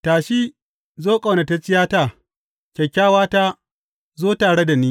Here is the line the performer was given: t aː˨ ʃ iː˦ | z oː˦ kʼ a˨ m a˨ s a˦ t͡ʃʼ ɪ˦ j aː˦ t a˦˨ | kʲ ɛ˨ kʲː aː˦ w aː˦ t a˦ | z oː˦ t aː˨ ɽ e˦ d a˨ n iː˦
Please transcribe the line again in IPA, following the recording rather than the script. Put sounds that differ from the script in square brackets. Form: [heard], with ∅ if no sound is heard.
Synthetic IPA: t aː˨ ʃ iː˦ | z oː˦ kʼ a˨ [n] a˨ [t] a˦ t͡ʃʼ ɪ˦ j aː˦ t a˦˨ | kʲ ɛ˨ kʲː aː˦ w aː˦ t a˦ | z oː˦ t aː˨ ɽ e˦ d a˨ n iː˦

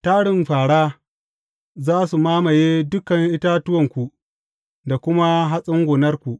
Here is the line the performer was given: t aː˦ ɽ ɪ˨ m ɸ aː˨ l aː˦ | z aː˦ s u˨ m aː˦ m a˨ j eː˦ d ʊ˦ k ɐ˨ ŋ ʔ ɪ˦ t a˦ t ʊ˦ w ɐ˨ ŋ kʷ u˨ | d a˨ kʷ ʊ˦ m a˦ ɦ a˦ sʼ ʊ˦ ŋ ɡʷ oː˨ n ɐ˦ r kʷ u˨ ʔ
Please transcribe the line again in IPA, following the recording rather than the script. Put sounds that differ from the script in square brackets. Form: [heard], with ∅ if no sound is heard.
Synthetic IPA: t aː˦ ɽ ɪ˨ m ɸ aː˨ [ɽ] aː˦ | z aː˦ s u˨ m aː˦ m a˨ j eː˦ d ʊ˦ k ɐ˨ ŋ ʔ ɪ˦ t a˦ t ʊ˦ w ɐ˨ ŋ kʷ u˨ | d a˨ kʷ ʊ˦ m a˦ ɦ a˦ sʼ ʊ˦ ŋ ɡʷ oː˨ n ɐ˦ r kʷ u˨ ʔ

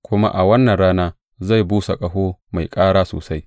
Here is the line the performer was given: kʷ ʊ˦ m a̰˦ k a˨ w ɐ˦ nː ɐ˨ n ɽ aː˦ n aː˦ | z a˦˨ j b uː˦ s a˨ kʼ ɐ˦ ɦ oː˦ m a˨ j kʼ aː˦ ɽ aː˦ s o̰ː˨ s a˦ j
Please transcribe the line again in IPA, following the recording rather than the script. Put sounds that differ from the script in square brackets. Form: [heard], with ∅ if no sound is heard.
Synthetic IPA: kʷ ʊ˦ m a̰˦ [ʔ] a˨ w ɐ˦ nː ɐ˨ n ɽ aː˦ n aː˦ | z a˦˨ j b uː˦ s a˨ kʼ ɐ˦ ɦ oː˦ m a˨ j kʼ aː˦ ɽ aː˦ s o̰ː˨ s a˦ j

